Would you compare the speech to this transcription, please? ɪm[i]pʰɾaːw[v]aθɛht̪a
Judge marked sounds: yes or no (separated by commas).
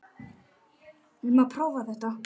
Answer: no, yes